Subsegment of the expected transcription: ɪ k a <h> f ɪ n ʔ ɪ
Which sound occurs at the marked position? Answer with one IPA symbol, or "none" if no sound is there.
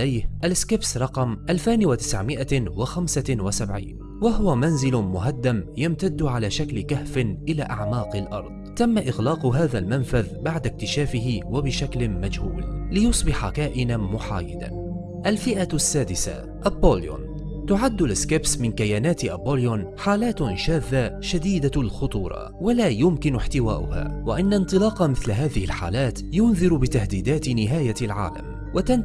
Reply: h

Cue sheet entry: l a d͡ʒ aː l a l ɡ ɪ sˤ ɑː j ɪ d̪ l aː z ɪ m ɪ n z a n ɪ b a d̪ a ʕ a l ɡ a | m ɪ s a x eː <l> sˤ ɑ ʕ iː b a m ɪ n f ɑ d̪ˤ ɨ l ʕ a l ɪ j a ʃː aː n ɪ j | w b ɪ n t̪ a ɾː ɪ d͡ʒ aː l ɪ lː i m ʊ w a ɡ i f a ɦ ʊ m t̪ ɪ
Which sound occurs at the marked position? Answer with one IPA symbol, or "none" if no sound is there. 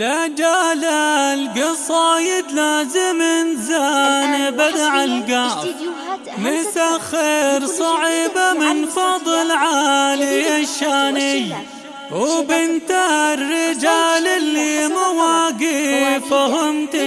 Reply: ɾ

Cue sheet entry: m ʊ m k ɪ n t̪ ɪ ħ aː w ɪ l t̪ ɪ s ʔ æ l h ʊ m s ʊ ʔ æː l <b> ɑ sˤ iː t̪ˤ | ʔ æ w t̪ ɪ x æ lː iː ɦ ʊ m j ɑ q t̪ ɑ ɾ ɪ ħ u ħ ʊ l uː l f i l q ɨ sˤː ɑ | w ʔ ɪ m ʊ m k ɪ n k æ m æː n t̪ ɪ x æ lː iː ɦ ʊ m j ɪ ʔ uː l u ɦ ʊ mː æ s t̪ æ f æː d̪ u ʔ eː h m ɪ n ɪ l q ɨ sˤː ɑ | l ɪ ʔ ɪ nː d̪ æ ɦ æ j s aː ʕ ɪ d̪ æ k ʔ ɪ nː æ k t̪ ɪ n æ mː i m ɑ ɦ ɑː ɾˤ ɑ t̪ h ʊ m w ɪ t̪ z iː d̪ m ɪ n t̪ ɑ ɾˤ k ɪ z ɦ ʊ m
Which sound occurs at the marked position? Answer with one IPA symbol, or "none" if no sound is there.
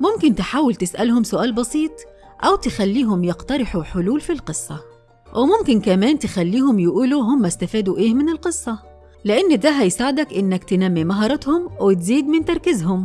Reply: b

